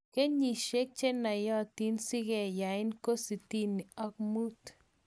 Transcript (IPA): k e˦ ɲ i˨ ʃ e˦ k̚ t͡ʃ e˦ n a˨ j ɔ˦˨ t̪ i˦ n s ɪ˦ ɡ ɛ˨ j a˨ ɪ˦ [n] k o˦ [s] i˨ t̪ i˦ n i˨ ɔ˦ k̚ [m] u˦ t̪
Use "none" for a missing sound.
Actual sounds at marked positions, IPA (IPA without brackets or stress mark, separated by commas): n, s, m